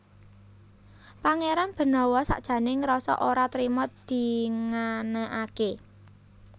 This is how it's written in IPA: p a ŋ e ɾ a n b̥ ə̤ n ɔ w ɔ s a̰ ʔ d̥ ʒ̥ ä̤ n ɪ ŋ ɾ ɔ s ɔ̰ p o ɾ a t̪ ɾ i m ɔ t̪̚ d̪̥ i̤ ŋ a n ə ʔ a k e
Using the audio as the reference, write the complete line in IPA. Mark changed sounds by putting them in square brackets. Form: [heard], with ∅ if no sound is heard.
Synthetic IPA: p a ŋ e ɾ a n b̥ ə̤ n ɔ w ɔ s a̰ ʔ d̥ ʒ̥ ä̤ n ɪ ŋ ɾ ɔ s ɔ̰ [ʔ] o ɾ a t̪ ɾ i m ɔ t̪̚ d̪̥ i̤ ŋ a n ə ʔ a k e